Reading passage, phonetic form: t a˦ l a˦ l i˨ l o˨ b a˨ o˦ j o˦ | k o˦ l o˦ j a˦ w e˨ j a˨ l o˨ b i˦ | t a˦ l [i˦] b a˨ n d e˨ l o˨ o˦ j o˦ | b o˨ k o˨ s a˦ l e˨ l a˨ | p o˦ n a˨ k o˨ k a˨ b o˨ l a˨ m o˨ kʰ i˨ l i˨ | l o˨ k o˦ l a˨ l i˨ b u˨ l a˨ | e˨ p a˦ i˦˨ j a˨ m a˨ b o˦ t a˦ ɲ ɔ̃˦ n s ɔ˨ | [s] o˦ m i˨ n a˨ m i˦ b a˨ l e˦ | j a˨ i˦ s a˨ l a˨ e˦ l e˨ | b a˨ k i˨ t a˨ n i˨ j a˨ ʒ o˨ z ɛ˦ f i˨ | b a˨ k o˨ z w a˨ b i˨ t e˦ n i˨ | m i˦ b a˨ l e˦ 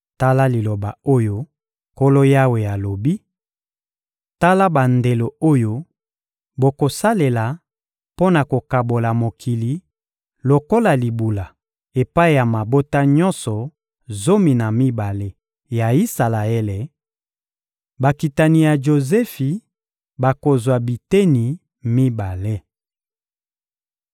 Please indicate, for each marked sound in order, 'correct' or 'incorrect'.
incorrect: a˦, incorrect: z

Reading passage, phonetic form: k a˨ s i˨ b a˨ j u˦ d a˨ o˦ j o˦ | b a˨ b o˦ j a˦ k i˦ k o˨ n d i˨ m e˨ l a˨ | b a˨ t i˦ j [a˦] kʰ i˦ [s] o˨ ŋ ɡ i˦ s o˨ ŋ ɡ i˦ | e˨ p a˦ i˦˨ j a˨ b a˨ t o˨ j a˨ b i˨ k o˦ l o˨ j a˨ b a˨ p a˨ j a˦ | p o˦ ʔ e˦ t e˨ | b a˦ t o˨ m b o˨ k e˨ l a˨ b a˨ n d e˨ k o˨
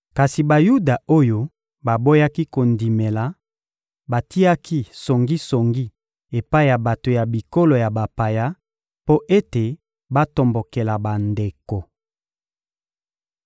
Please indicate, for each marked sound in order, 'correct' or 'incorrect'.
correct, correct

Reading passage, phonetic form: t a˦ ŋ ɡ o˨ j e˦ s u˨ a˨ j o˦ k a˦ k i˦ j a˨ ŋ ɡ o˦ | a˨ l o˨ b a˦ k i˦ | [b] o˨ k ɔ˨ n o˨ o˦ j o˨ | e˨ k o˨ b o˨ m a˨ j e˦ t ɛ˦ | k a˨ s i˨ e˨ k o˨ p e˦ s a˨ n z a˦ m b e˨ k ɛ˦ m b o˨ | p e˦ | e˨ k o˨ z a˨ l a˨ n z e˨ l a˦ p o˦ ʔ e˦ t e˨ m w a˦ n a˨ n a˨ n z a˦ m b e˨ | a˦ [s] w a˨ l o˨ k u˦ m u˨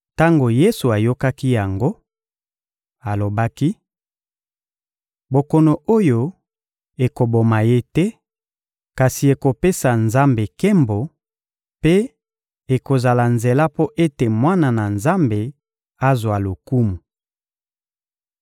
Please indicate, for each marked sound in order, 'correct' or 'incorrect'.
correct, incorrect: z

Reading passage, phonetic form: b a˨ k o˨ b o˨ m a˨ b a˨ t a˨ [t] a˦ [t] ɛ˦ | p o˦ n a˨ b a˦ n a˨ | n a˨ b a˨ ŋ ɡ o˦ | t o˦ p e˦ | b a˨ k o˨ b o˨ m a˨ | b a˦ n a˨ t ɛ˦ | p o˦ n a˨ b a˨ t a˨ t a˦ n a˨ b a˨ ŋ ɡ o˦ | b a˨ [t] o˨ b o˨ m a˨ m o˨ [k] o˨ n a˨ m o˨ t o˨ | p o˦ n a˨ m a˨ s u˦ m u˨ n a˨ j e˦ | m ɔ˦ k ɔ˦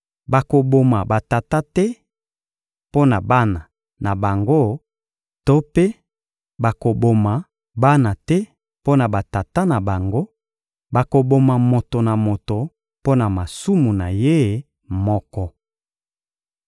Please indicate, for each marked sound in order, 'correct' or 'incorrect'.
correct, correct, incorrect: k, incorrect: t

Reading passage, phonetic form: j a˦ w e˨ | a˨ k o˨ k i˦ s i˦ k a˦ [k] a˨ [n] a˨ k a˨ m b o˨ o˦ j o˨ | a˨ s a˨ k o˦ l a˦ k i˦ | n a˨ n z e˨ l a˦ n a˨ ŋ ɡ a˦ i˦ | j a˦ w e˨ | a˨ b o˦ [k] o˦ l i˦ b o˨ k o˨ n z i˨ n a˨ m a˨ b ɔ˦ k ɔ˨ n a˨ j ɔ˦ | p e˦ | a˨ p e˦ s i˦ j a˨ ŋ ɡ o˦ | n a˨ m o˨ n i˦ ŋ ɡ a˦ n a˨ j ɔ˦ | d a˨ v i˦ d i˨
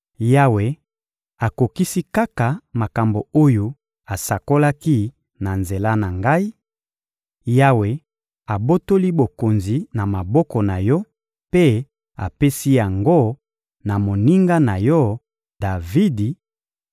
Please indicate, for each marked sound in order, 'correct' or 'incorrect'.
correct, incorrect: m, incorrect: t

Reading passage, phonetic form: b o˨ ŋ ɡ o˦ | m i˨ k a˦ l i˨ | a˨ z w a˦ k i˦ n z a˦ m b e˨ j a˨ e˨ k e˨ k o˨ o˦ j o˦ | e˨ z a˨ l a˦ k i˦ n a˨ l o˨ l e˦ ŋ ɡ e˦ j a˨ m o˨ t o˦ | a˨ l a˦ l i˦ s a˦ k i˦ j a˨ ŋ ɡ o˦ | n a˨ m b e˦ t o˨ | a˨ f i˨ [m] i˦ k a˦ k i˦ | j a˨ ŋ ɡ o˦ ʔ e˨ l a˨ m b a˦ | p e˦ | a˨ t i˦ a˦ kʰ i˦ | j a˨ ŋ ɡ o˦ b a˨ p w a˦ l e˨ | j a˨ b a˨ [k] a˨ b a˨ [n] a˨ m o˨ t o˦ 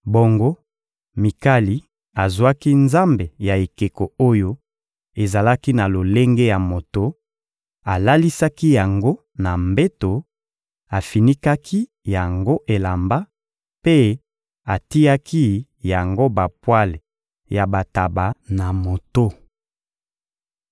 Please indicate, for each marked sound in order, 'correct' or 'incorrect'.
incorrect: n, incorrect: t, correct

